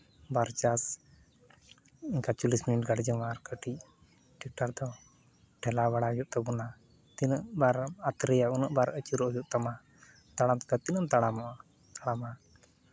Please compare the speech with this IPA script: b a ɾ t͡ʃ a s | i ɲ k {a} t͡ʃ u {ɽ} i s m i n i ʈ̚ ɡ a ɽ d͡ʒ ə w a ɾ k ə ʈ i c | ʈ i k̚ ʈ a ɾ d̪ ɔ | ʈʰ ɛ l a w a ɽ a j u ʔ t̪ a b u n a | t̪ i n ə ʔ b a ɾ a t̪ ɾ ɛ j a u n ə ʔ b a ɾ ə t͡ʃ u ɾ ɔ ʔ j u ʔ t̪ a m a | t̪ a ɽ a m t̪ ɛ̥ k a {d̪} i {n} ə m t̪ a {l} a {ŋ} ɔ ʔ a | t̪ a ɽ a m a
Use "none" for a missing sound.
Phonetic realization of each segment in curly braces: a, l, t̪, n, ɽ, m

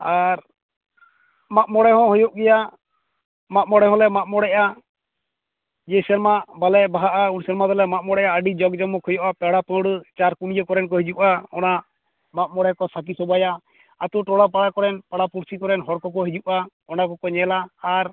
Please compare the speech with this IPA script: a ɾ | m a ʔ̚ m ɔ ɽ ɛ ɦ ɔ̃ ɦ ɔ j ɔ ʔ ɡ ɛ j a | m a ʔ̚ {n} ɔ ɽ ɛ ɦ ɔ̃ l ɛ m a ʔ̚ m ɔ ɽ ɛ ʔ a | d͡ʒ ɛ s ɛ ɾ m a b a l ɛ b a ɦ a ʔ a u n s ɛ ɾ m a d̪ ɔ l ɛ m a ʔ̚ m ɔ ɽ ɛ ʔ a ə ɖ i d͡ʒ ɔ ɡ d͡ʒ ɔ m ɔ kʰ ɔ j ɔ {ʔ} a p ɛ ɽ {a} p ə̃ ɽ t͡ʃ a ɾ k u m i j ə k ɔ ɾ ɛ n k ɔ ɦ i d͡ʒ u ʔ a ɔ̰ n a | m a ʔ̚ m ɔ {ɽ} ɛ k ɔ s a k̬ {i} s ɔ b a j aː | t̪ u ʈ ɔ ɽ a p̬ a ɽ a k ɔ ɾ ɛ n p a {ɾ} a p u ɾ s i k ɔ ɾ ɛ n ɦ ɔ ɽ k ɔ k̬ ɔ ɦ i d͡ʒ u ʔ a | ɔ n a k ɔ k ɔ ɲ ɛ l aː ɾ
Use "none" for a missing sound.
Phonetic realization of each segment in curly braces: m, ʔ, a, ɽ, i, ɽ

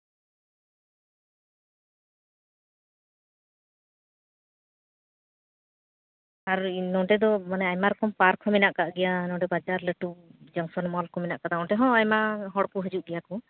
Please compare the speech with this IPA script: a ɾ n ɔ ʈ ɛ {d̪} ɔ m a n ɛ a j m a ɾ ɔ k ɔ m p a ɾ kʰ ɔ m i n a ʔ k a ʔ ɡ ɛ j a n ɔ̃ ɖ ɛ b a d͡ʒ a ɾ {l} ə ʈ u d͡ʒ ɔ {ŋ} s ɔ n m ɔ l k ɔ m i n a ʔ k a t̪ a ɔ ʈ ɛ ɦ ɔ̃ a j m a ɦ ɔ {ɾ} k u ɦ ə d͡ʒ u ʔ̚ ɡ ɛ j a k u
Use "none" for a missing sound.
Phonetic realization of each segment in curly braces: d̪, l, ŋ, ɽ

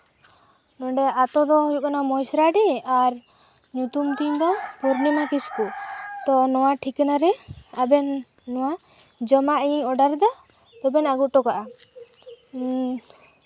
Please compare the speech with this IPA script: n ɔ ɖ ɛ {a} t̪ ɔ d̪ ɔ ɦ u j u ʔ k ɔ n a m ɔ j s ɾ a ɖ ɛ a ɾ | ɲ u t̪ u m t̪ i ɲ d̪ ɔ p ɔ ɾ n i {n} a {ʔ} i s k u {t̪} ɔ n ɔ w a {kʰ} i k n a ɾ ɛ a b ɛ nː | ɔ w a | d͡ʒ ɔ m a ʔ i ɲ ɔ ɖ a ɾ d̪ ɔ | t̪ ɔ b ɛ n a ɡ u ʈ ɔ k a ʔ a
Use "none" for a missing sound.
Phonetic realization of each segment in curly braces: a, m, k, t̪, ʈʰ

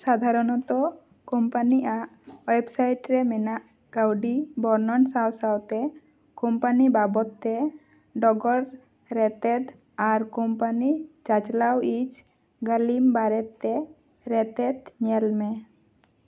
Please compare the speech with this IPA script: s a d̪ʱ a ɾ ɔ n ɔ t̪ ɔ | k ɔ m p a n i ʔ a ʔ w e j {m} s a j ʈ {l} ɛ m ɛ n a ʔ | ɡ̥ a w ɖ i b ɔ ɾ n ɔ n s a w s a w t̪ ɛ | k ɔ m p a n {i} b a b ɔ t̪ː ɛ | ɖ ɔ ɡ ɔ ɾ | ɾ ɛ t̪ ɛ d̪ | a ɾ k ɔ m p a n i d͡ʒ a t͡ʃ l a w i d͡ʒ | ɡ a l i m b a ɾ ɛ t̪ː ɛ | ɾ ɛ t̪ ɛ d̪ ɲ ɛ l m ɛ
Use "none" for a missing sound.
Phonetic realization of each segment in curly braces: b, ɾ, i

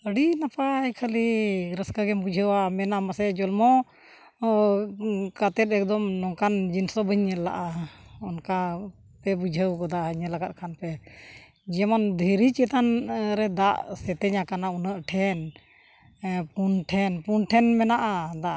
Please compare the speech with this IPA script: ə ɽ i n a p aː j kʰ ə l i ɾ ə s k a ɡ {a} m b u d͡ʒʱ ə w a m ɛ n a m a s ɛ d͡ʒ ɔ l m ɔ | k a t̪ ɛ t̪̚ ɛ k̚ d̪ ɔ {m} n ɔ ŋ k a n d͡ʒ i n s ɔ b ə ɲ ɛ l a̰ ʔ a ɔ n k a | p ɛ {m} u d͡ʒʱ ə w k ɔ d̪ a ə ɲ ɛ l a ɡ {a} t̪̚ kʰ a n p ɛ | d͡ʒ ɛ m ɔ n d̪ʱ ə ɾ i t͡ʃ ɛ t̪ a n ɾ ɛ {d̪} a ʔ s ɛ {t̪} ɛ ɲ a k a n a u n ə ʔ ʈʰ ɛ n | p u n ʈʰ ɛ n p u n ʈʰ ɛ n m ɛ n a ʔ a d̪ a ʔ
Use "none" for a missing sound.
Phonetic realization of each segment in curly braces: ɛ, m, b, a, d̪, t̪

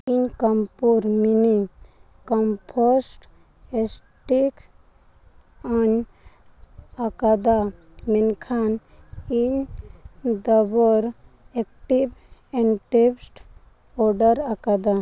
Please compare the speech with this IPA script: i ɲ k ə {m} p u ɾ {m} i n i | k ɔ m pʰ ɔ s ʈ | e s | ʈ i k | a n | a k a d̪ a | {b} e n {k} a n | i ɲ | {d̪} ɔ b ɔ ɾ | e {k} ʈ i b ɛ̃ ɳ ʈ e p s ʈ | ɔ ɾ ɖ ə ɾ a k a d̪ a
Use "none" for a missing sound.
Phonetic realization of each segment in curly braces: m, m, m, kʰ, d̪, k

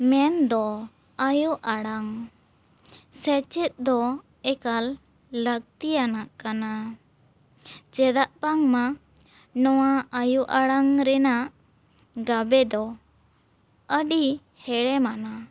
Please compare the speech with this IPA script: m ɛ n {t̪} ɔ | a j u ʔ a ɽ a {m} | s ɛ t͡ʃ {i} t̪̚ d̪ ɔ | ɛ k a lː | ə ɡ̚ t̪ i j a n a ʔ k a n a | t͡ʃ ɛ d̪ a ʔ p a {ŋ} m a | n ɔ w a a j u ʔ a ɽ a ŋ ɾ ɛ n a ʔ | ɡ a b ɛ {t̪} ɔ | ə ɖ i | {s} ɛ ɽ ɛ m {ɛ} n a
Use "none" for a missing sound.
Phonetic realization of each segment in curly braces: d̪, ŋ, ɛ, ŋ, d̪, h, a

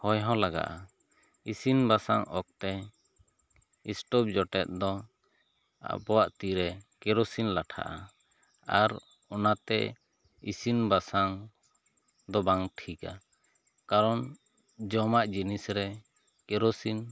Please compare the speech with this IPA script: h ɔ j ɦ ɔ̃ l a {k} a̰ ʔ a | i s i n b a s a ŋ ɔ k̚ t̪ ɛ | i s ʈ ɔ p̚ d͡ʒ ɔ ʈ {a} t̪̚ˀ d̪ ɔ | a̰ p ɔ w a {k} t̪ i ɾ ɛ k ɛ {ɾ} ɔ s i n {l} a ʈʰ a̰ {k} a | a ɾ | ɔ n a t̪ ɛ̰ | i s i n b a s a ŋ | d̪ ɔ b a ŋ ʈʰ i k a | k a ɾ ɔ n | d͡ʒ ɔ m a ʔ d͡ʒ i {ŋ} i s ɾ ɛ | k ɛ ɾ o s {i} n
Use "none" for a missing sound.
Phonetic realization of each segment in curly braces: ɡ, ɛ, ʔ, ɾ, l, ʔ, n, i

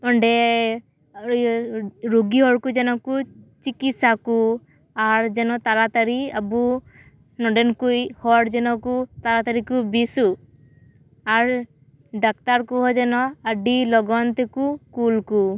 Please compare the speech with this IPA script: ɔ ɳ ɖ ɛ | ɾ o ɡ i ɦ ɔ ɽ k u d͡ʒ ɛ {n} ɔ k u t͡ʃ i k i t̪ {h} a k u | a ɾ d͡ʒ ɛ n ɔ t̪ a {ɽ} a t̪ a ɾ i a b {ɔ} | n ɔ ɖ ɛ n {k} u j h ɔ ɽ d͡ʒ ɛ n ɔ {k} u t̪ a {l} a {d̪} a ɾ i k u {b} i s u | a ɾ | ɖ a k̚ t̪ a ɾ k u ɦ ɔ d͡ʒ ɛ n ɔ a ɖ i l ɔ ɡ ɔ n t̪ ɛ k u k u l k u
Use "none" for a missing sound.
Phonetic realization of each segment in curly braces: n, s, ɾ, u, k, k, ɾ, t̪, b

